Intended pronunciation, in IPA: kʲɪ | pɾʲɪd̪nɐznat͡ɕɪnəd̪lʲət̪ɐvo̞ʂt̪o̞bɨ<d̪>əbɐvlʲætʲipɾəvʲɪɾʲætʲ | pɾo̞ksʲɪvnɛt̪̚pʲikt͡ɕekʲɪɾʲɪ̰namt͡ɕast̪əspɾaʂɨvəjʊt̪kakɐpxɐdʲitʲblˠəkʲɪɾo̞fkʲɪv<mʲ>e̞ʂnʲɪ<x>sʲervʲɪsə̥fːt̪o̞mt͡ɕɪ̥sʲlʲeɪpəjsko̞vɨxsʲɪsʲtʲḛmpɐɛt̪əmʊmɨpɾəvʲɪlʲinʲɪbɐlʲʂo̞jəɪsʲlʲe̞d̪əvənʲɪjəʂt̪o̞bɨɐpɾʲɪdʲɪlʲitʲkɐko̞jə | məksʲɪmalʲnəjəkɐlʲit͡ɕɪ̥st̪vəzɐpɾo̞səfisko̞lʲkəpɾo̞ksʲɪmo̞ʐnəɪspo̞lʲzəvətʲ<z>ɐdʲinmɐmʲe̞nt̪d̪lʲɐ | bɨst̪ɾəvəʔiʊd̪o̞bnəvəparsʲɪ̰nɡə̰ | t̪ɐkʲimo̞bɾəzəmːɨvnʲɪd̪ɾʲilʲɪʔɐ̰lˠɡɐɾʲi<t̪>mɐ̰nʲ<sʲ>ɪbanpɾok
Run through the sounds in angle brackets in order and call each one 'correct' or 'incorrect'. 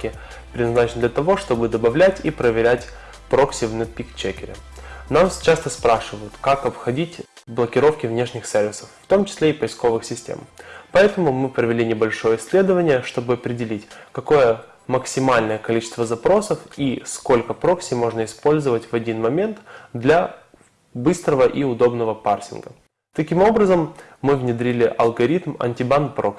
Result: correct, incorrect, correct, incorrect, correct, incorrect

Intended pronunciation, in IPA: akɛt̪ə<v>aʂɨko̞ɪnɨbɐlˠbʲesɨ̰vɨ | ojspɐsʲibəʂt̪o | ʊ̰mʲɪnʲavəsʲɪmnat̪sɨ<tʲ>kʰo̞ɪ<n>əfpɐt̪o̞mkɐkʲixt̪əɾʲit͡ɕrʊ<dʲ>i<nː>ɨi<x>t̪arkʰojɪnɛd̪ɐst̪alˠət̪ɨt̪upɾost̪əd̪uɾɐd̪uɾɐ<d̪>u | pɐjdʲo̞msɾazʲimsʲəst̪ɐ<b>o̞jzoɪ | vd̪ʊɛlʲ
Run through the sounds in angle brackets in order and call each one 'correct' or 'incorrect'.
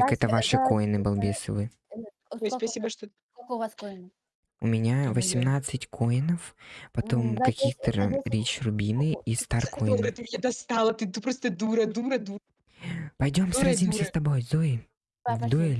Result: correct, correct, correct, incorrect, incorrect, incorrect, correct, correct

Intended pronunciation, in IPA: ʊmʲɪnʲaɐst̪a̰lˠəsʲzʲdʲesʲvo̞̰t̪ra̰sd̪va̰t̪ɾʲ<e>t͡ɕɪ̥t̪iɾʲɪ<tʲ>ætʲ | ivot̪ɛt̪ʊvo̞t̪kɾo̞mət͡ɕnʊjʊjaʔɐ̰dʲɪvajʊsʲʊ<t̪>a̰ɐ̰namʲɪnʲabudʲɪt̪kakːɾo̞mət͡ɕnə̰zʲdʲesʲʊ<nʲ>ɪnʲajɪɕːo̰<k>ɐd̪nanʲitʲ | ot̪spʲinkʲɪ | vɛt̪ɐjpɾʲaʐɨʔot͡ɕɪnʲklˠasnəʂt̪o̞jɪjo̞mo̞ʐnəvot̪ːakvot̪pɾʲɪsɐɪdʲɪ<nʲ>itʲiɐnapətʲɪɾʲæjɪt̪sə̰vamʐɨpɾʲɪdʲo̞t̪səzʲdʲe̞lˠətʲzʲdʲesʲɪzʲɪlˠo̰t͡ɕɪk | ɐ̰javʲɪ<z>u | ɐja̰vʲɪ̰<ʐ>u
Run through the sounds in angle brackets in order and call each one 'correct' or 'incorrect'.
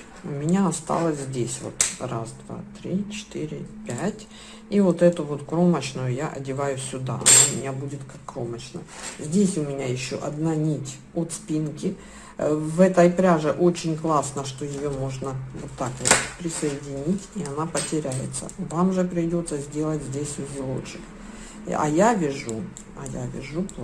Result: incorrect, incorrect, incorrect, incorrect, incorrect, correct, incorrect, correct

